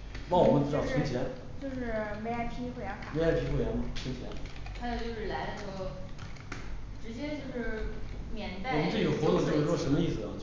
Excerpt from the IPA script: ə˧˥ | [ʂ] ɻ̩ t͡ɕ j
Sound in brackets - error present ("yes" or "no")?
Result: yes